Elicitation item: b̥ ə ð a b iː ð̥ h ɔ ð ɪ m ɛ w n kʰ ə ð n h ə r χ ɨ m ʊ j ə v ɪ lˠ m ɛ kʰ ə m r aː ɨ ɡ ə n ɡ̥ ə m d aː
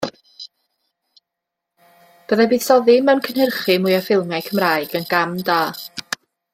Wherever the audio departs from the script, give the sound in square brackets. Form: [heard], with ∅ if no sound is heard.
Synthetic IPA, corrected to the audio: b̥ ə ð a b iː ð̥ [s] ɔ ð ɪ m ɛ w n kʰ ə [∅] n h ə r χ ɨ m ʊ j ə [f] ɪ lˠ m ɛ kʰ ə m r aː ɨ ɡ ə n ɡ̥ [a] m d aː

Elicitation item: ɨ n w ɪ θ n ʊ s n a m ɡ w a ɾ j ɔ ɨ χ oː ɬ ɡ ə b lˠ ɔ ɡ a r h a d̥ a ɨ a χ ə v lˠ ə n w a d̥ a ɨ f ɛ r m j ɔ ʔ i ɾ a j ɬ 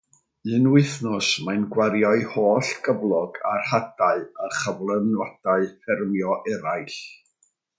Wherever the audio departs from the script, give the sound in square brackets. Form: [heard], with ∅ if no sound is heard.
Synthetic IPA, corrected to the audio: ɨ n w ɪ θ n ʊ s [m] a [n] ɡ w a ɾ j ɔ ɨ [h] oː ɬ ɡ ə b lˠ ɔ ɡ a r h a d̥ a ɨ [ə] χ ə v lˠ ə n w a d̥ a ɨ f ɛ r m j ɔ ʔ [ɛ] ɾ a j ɬ

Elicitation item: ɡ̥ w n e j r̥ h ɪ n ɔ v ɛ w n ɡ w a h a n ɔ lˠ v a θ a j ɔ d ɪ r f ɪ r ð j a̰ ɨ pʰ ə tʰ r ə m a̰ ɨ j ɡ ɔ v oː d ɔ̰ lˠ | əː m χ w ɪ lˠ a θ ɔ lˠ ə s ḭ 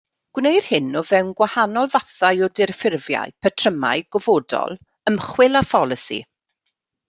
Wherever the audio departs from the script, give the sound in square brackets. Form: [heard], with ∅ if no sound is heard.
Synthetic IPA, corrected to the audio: ɡ̥ w n e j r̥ h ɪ n ɔ v ɛ w n ɡ w a h a n ɔ lˠ v a θ a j ɔ d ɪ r f ɪ r [v] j a̰ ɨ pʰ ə tʰ r ə m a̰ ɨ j ɡ ɔ v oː d ɔ̰ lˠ | [ə] m χ w ɪ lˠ a [f] ɔ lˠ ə s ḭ

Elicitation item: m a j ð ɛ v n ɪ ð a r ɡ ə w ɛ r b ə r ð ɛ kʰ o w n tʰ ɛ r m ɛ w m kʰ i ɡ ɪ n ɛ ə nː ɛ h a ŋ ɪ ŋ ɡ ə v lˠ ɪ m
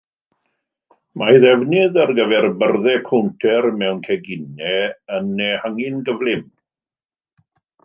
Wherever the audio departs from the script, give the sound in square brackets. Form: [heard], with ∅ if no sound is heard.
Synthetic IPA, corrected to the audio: m a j ð ɛ v n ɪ ð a r ɡ ə [v] ɛ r b ə r ð ɛ kʰ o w n tʰ ɛ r m ɛ w [n] kʰ [ɛ] ɡ ɪ n ɛ ə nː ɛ h a ŋ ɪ [n] ɡ ə v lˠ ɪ m

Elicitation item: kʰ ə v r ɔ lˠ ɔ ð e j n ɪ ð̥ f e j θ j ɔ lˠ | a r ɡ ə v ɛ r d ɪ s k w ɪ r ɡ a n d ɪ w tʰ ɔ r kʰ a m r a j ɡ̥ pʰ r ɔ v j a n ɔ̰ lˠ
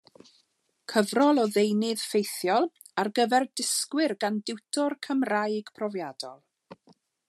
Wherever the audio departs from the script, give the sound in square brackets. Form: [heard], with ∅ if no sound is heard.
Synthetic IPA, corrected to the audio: kʰ ə v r ɔ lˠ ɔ ð e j n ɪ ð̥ f e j θ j ɔ lˠ | a r ɡ ə v ɛ r d ɪ s k w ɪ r ɡ a n d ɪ w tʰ ɔ r kʰ [ə] m r a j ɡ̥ pʰ r ɔ v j a [d] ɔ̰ lˠ

